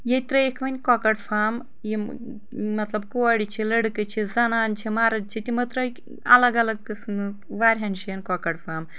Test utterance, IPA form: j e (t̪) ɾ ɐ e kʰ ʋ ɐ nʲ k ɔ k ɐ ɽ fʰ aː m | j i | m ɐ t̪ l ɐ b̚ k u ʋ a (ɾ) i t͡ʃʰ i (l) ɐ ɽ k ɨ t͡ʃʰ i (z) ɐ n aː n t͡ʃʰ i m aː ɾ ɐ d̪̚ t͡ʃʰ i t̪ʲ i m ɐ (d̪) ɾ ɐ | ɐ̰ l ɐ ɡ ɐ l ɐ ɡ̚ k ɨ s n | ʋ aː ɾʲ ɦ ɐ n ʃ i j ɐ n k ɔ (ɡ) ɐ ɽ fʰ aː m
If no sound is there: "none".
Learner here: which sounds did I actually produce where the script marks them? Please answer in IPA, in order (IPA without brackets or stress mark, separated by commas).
t̪, ɽ, l, z, t̪, k